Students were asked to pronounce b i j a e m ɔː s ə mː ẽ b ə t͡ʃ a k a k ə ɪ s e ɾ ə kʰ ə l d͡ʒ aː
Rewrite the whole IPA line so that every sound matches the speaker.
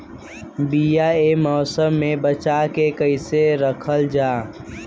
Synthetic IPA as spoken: b i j a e m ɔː s ə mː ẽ b ə t͡ʃ a k e k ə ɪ s e ɾ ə kʰ ə l d͡ʒ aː